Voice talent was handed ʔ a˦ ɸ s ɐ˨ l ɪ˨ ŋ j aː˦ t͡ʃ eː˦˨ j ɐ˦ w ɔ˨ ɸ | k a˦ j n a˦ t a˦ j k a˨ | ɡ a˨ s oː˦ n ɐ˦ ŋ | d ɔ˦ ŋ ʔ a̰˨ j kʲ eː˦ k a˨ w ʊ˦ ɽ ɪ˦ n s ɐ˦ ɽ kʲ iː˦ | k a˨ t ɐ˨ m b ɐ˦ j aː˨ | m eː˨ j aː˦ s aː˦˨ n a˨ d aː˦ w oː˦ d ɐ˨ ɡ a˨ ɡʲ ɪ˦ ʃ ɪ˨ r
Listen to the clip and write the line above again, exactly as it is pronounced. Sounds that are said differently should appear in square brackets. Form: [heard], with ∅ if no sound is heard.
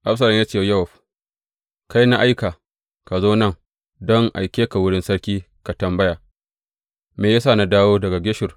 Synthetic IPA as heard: ʔ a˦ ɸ s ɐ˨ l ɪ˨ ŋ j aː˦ t͡ʃ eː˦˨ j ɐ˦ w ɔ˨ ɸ | k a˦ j n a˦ [ʔ] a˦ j k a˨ | [k] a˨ [z] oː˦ n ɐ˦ ŋ | d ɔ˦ ŋ ʔ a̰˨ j kʲ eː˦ k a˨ w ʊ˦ ɽ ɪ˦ n s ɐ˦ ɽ kʲ iː˦ | k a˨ t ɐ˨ m b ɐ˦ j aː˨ | m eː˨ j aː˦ s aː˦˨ n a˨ d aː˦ w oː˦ d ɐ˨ ɡ a˨ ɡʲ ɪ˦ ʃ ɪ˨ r